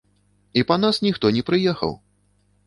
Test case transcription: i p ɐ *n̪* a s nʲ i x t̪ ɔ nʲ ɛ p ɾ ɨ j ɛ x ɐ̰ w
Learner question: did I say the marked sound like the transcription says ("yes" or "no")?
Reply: yes